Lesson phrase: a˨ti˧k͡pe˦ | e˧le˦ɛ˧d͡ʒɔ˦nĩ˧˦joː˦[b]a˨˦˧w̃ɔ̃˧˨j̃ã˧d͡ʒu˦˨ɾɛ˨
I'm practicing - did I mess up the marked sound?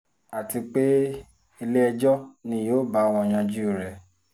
no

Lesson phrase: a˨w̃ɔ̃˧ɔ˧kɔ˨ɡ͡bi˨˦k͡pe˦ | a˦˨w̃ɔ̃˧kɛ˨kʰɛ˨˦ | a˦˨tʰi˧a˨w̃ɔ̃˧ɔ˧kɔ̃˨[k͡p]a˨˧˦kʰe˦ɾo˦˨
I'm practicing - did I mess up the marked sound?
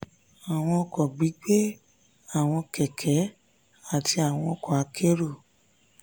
yes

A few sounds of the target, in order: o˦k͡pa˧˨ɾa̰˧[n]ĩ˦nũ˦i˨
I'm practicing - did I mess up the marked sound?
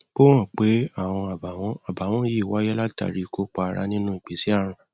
no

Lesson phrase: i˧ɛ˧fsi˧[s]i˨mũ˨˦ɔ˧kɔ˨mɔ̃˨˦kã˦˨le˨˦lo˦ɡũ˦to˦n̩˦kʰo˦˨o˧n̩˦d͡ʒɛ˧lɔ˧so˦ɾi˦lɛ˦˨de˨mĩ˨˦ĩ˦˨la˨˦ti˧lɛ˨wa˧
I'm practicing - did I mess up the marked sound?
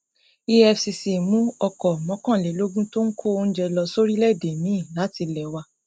no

